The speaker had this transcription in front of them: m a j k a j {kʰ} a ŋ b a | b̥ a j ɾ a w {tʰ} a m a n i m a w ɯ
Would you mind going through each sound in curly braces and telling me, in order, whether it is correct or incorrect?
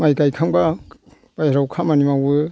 correct, incorrect: kʰ

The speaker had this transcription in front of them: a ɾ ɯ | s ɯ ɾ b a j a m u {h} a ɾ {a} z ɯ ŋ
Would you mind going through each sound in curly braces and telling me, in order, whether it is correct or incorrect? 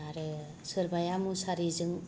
incorrect: s, incorrect: i

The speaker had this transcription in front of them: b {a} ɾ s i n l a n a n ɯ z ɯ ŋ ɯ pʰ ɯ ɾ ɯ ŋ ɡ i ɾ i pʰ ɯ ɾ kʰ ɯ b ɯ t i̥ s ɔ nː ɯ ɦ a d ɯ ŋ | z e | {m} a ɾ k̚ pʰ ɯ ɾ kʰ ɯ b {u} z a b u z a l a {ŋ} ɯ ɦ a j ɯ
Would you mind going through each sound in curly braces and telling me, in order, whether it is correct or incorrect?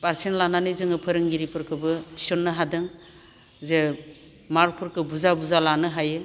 correct, correct, correct, incorrect: n

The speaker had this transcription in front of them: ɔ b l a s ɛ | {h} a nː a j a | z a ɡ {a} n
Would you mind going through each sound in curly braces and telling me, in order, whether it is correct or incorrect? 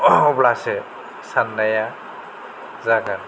incorrect: s, correct

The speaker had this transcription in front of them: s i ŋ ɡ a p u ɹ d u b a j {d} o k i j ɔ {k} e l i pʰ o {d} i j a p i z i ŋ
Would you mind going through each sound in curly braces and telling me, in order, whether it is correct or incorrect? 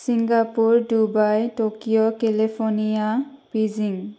incorrect: t, correct, incorrect: n

